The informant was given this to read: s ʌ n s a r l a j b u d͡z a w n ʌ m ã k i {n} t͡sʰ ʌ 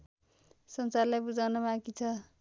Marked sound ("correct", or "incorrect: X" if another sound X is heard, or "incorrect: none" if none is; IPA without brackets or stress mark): incorrect: none